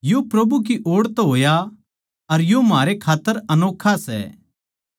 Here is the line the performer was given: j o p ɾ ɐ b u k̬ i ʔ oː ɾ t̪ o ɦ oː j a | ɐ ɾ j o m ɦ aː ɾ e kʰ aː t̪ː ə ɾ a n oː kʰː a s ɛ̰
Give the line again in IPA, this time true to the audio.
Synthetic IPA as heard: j o p ɾ ɐ b u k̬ i ʔ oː ɽ t̪ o ɦ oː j a | ɐ ɾ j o m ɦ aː ɾ e kʰ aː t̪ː ə ɾ ɐ n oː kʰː a s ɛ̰